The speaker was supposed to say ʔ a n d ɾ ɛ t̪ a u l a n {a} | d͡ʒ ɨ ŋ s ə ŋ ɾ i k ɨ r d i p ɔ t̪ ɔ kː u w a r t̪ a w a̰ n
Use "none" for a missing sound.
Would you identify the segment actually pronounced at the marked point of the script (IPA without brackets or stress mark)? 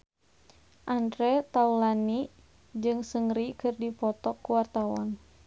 i